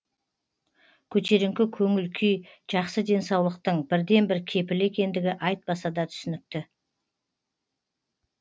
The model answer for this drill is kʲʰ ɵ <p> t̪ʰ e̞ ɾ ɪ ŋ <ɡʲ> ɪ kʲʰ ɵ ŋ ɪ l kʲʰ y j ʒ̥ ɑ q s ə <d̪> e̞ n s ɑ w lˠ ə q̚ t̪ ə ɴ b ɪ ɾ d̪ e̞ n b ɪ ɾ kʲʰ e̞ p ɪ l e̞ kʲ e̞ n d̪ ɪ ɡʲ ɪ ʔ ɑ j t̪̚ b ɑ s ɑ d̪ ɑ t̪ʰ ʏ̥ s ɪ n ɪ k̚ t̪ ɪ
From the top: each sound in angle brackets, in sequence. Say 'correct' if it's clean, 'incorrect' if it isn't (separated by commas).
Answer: incorrect, incorrect, correct